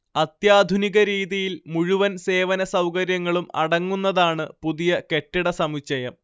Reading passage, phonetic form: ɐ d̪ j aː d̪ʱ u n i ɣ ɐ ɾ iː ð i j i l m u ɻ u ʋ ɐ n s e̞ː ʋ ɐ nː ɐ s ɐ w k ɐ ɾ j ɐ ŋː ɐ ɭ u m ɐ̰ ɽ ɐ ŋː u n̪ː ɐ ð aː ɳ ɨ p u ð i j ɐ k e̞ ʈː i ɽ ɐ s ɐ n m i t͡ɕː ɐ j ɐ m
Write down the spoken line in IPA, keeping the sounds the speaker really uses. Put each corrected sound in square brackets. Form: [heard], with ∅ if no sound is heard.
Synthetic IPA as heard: ɐ [t̪] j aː d̪ʱ u n i ɣ ɐ ɾ iː ð i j i l m u ɻ u ʋ ɐ n s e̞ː ʋ ɐ [n] ɐ s ɐ w k ɐ ɾ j ɐ ŋː ɐ ɭ u m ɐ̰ ɽ ɐ ŋː u n̪ː ɐ ð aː ɳ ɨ p u ð i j ɐ k e̞ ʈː i ɽ ɐ s ɐ [∅] m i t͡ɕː ɐ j ɐ m